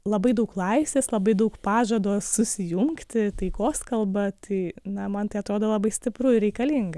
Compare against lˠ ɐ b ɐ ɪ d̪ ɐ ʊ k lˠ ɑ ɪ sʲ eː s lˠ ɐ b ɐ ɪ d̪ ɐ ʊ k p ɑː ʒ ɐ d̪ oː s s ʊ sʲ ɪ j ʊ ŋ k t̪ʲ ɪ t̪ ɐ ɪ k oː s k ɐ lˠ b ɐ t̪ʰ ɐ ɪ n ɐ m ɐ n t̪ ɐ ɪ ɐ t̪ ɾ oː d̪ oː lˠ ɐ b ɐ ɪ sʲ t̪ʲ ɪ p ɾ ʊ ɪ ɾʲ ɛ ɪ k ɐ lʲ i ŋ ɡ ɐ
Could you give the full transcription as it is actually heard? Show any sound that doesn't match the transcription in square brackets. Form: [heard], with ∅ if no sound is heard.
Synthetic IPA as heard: lˠ ɐ b ɐ ɪ d̪ ɐ ʊ k lˠ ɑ ɪ sʲ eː s lˠ ɐ b ɐ ɪ d̪ ɐ ʊ k p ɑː ʒ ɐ d̪ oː s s ʊ sʲ ɪ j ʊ ŋ k t̪ʲ ɪ t̪ ɐ ɪ k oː s k ɐ lˠ b ɐ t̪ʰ ɐ ɪ n ɐ m ɐ n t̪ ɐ ɪ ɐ t̪ ɾ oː d̪ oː lˠ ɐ b ɐ ɪ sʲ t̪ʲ ɪ p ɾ ʊ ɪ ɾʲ ɛ ɪ k ɐ lʲ i ŋ ɡ ɐ